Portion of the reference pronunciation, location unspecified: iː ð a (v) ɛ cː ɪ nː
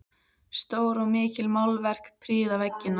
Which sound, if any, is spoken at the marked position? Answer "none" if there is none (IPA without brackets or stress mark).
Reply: v